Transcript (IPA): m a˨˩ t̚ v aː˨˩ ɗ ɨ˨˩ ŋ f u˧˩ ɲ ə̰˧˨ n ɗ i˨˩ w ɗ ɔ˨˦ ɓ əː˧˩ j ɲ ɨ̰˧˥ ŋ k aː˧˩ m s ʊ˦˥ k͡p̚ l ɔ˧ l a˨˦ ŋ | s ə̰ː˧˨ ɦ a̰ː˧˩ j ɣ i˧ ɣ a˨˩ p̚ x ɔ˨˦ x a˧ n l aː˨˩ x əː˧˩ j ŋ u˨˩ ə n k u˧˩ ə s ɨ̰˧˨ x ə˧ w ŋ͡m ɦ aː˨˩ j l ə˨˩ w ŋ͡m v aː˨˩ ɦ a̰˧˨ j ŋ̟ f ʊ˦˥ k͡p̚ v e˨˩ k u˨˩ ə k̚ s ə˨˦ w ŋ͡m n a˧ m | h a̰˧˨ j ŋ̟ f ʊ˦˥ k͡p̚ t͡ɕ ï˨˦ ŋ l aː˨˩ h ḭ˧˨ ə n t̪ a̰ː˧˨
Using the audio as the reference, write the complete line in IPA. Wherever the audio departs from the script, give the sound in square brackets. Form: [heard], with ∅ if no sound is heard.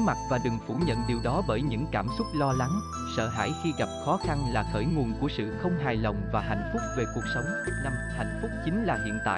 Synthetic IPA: m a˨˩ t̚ v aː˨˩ ɗ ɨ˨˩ ŋ f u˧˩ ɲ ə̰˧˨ n ɗ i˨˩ w ɗ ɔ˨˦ ɓ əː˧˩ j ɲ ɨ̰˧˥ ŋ k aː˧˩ m s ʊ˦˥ k͡p̚ l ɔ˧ l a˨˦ ŋ | s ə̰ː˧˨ ɦ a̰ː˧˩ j [x] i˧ ɣ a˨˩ p̚ x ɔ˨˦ x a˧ n l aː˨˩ x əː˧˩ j ŋ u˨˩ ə n k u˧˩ ə s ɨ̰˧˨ x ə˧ w ŋ͡m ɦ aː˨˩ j l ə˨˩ w ŋ͡m v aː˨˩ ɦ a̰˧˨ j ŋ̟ f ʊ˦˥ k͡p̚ v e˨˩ k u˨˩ ə k̚ s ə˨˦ w ŋ͡m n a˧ m | h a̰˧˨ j ŋ̟ f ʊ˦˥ k͡p̚ t͡ɕ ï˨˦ ŋ l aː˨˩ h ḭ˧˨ ə n t̪ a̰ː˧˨